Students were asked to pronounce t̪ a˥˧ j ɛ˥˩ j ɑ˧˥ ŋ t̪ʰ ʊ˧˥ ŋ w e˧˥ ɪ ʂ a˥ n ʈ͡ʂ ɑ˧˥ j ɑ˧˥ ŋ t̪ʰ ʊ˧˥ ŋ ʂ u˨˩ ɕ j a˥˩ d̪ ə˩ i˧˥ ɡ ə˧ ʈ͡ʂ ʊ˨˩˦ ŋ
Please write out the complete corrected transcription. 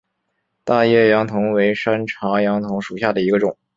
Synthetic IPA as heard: t̪ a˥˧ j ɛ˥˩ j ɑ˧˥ ŋ t̪ʰ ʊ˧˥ ŋ w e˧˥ ɪ ʂ a˥ n ʈ͡ʂʰ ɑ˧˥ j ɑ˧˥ ŋ t̪ʰ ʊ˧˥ ŋ ʂ u˨˩ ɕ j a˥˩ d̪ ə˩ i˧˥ ɡ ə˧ ʈ͡ʂ ʊ˨˩˦ ŋ